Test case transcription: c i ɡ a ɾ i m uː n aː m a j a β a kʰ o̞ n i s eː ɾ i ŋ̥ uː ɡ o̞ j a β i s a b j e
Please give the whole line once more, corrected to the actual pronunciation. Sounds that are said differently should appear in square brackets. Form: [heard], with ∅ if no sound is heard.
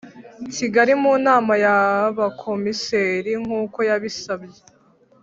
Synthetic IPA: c i ɡ a ɾ i m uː n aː m a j a β a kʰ o̞ [m] i s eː ɾ i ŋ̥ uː [k] o̞ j a β i s a b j e